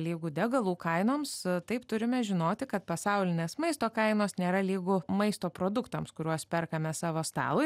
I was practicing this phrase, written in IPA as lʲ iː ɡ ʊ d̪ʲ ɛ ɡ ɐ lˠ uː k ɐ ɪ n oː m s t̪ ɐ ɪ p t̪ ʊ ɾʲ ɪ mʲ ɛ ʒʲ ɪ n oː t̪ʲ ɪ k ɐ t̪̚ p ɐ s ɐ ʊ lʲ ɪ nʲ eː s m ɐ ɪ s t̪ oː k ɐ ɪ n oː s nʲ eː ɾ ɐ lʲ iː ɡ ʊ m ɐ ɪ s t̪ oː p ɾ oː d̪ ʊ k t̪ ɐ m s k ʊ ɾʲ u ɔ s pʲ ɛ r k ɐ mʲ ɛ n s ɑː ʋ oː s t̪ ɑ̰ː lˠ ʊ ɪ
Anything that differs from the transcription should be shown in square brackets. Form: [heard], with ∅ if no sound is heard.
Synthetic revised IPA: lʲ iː ɡ ʊ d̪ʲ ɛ ɡ ɐ lˠ uː k ɐ ɪ n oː m s t̪ ɐ ɪ p t̪ ʊ ɾʲ ɪ mʲ ɛ ʒʲ ɪ n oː t̪ʲ ɪ k ɐ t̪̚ p ɐ s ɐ ʊ lʲ ɪ nʲ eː s m ɐ ɪ s t̪ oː k ɐ ɪ n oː s nʲ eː ɾ ɐ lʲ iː ɡ ʊ m ɐ ɪ s t̪ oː p ɾ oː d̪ ʊ k t̪ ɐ m s k ʊ ɾʲ u ɔ s pʲ ɛ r k ɐ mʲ ɛ [∅] s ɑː ʋ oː s t̪ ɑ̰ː lˠ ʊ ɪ